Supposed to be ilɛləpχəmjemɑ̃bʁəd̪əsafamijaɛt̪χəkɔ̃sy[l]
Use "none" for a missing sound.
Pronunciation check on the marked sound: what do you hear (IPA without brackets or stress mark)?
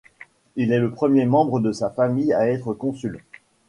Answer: l